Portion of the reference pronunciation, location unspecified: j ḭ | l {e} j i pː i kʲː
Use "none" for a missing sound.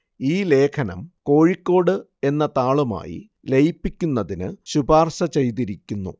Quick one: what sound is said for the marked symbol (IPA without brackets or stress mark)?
e